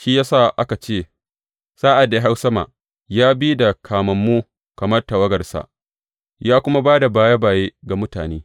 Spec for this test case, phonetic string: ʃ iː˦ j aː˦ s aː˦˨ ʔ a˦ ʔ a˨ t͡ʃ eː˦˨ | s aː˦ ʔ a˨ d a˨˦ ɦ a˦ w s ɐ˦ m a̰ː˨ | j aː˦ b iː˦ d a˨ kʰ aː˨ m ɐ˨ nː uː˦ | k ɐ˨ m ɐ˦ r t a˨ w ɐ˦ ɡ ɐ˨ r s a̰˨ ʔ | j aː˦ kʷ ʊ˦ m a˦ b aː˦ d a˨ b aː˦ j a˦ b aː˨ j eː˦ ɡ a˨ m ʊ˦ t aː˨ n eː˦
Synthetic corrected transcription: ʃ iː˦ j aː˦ s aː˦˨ ʔ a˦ k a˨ t͡ʃ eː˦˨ | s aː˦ ʔ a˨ d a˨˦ ɦ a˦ w s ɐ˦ m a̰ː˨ | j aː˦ b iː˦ d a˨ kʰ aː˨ m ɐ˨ mː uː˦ | k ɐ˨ m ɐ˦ r t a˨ w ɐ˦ ɡ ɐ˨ r s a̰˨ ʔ | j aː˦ kʷ ʊ˦ m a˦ b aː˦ d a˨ b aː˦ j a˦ b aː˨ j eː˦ ɡ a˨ m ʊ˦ t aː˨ n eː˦